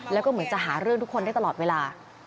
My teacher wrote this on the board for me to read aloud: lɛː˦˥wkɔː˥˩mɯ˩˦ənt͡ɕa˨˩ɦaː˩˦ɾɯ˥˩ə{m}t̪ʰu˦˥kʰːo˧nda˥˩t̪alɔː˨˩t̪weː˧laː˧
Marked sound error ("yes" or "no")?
yes